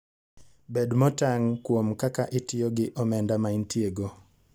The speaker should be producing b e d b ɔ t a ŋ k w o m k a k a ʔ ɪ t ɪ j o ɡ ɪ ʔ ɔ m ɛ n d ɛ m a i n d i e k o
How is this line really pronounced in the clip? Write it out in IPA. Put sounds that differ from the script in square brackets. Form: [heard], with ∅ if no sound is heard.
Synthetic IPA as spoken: b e d [m] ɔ t a ŋ k w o m k a k a ʔ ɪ t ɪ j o ɡ ɪ ʔ ɔ m ɛ n d [a] m a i n [t] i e [ɡ] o